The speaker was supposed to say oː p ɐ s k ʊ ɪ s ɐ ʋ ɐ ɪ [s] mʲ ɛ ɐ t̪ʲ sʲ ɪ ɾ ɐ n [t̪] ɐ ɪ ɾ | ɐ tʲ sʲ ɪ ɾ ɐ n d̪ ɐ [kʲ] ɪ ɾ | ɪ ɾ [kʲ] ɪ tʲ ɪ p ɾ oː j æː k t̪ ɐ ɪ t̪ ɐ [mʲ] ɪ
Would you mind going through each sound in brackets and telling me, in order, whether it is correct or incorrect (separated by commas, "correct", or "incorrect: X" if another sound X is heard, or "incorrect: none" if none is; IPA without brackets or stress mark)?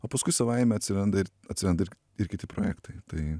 incorrect: none, incorrect: d̪, incorrect: none, correct, incorrect: none